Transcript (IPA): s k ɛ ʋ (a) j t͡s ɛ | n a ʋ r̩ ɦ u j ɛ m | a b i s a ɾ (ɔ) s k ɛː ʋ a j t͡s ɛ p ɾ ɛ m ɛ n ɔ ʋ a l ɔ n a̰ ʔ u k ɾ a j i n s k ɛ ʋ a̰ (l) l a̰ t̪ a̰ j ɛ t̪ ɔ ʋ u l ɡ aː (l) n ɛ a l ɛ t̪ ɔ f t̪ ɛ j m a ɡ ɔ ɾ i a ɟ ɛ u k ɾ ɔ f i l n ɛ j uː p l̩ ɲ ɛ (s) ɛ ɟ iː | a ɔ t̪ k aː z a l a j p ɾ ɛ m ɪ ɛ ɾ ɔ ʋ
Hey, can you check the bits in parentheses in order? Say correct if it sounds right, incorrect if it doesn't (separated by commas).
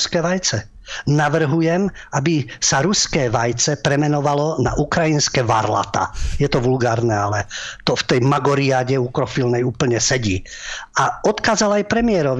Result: correct, incorrect, incorrect, incorrect, correct